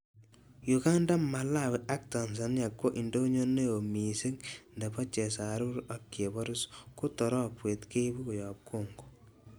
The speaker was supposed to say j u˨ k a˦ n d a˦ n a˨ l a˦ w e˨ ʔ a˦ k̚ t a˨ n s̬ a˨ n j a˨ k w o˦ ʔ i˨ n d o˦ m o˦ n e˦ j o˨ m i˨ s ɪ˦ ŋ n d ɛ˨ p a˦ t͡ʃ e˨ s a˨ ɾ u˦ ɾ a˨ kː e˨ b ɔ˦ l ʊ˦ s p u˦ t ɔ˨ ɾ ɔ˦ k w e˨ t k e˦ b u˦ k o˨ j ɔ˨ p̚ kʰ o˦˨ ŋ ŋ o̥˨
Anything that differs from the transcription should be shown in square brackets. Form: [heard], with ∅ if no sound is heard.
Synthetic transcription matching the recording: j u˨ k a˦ n d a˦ [m] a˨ l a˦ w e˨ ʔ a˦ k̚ t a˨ n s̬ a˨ n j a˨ k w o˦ ʔ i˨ n d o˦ [ɲ] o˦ n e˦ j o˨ m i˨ s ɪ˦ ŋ n d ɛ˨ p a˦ t͡ʃ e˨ s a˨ ɾ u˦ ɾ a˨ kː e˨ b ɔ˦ [ɾ] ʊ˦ s [k] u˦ t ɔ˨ ɾ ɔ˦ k w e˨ t k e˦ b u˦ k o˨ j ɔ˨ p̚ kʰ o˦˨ ŋ [ɡ] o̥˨